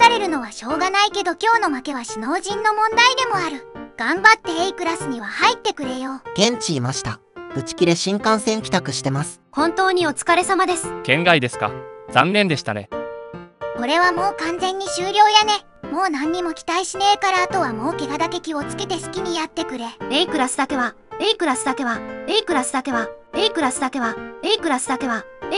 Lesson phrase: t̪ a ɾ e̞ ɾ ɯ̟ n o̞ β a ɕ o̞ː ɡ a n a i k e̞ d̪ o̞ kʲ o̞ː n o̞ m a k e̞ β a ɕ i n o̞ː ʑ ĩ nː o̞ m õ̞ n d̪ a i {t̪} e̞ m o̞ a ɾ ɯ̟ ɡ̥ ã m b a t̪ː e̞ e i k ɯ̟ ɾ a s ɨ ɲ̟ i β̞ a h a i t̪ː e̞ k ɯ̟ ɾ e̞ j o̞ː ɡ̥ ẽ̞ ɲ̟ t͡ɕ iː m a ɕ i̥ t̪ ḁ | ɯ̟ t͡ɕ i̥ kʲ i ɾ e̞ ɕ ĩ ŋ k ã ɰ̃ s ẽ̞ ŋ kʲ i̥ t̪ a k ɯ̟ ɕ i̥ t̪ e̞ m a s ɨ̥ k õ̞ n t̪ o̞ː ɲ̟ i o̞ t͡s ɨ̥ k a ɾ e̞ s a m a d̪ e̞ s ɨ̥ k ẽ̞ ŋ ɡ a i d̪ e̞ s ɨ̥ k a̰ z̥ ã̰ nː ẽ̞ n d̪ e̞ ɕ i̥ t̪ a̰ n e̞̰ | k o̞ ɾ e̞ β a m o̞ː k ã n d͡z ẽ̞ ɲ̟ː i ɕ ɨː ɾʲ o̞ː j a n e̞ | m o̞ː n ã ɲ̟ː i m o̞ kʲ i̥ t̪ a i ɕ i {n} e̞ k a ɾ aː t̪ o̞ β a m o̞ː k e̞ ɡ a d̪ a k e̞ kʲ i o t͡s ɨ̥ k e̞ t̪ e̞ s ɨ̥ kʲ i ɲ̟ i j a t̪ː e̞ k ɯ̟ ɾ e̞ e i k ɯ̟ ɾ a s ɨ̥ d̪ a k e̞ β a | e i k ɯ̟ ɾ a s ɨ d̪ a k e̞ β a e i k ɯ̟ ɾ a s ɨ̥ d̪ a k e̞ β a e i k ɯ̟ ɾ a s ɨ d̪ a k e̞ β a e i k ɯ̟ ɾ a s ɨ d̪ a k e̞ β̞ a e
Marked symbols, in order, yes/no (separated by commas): no, yes